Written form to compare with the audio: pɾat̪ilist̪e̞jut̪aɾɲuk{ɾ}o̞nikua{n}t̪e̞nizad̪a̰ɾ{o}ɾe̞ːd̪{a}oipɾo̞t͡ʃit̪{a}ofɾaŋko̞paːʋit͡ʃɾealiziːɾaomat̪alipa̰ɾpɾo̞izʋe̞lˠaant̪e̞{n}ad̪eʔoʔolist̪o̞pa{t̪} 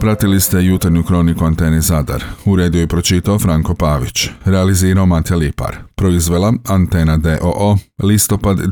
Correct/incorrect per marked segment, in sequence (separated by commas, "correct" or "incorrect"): correct, correct, incorrect, incorrect, correct, correct, incorrect